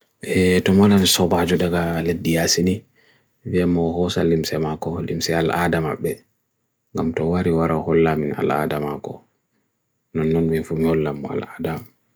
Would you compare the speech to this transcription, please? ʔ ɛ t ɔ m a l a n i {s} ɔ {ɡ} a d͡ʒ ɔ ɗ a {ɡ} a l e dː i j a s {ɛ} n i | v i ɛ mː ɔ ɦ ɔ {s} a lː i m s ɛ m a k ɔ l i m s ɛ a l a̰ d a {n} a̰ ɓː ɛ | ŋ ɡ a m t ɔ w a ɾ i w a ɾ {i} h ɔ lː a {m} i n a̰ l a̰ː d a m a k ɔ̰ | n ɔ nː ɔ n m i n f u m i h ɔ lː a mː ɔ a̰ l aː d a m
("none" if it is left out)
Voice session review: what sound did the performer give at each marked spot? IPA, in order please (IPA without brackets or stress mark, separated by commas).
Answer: s, b, ɡ, i, s, m, a, m